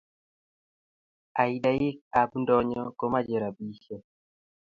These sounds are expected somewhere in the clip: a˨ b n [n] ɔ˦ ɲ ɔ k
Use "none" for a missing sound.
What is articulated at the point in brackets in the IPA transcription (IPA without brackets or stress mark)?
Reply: d